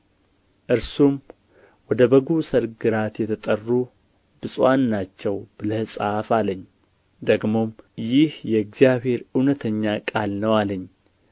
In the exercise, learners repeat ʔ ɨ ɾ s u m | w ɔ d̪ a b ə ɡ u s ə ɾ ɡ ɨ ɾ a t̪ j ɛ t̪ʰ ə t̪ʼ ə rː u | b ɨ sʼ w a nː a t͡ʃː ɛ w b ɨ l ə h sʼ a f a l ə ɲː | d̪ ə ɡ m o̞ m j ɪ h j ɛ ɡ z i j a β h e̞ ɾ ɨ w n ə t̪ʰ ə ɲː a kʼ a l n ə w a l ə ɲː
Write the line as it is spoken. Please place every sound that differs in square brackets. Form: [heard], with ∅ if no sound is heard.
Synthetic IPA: ʔ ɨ ɾ s u m | w ɔ d̪ [ə] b ə ɡ u s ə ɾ ɡ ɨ ɾ a t̪ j ɛ t̪ʰ ə t̪ʼ ə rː u | b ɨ sʼ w a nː a t͡ʃː ɛ w b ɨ l ə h sʼ a f a l ə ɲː | d̪ ə ɡ m o̞ m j ɪ h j ɛ ɡ z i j a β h e̞ ɾ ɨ w n ə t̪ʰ ə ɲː a kʼ a l n ə w a l ə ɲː